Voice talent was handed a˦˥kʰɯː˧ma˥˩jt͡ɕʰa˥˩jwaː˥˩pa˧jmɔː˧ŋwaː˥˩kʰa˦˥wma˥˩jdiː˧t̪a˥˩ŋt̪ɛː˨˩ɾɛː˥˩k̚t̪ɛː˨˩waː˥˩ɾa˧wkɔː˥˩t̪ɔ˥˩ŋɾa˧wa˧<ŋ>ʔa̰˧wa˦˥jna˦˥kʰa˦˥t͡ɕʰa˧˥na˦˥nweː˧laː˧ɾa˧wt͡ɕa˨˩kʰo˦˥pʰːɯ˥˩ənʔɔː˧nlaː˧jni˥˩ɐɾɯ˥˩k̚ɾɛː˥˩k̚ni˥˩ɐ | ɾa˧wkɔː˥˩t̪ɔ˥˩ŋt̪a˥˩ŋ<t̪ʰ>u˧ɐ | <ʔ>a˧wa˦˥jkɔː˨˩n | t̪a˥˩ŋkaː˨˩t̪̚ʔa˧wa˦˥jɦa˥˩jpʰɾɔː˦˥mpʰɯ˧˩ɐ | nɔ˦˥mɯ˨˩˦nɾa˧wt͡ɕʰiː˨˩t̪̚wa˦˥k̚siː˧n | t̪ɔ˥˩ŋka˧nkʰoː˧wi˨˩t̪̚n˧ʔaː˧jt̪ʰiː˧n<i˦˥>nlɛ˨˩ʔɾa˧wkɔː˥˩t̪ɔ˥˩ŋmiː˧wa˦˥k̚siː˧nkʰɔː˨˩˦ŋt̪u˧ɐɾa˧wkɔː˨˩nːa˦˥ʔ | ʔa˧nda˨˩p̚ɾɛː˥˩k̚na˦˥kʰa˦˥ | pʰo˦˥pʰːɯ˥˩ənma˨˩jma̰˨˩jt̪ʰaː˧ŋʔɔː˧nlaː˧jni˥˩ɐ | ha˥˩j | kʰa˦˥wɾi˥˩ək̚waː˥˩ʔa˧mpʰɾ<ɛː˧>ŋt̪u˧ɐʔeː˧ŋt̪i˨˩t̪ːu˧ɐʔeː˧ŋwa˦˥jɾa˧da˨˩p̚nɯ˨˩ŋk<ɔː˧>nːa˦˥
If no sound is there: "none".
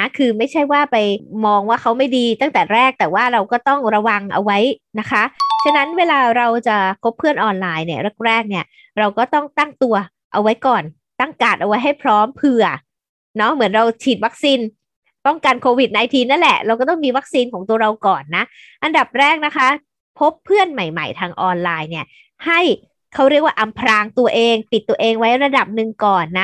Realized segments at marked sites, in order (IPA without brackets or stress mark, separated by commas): ŋ, t̪, ʔ, a˦˥, aː˧, ɔː˨˩